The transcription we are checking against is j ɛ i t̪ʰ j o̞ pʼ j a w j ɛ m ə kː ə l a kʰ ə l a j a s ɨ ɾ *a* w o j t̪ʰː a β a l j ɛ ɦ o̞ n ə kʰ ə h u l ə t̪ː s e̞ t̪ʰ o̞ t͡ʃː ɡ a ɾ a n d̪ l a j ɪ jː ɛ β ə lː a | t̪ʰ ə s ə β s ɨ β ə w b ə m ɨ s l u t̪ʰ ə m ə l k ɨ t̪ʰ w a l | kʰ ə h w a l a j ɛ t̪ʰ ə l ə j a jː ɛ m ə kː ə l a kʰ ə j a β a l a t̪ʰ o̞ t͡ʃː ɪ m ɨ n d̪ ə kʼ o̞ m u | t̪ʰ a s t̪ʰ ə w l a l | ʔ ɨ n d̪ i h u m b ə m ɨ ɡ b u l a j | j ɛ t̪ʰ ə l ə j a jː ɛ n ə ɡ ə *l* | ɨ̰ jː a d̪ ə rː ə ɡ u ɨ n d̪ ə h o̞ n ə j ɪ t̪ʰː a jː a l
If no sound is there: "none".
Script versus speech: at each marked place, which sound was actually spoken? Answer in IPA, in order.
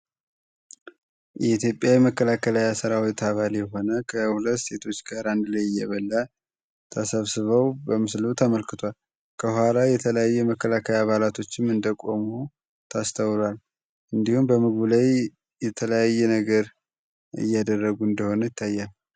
a, ɾ

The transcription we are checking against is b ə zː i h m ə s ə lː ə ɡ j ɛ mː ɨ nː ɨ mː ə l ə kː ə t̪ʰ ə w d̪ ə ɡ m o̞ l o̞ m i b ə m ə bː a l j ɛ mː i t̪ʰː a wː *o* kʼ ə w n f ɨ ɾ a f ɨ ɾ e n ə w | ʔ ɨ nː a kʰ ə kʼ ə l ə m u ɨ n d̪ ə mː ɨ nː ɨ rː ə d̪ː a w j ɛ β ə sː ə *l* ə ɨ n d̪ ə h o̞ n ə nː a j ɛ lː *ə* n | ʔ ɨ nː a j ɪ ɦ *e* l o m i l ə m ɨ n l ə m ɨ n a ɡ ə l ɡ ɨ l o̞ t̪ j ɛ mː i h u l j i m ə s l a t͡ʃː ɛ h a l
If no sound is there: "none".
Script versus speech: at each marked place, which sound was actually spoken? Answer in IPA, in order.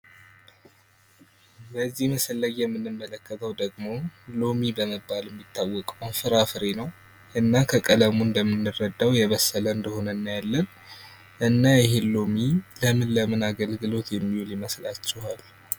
ɔ, l, ə, e

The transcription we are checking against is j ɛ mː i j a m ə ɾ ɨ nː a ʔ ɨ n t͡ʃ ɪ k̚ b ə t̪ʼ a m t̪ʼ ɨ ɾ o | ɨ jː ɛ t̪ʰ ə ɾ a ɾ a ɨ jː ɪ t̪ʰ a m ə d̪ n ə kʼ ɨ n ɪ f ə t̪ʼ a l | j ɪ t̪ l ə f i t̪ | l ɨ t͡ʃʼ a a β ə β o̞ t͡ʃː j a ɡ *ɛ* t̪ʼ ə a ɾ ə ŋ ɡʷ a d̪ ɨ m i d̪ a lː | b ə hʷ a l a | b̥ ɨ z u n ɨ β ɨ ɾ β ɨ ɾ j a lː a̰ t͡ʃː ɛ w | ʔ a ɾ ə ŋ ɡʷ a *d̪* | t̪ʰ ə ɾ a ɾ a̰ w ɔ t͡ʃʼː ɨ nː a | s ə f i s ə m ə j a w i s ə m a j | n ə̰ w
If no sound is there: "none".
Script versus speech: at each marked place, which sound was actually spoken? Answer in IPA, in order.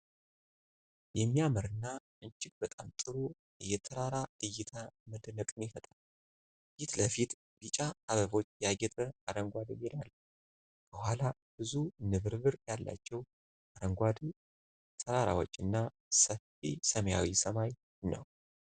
ɛ, d̪

